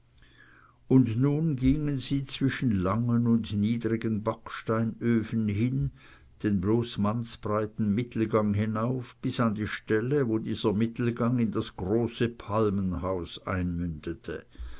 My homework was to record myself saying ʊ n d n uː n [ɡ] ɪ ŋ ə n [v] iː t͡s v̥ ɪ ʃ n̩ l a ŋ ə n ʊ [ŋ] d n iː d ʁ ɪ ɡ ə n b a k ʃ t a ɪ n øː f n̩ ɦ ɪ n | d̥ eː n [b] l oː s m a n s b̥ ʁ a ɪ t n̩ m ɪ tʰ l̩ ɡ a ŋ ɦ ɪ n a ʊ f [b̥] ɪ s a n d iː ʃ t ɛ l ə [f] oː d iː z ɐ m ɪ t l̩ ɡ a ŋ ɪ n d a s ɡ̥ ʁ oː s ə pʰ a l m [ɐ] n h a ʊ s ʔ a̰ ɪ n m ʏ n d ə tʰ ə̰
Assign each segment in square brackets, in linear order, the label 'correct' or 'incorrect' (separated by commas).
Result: correct, incorrect, incorrect, correct, correct, incorrect, incorrect